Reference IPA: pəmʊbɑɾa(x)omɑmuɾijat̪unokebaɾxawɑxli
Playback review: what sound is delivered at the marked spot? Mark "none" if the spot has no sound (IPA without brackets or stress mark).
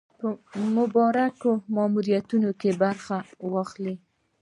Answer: k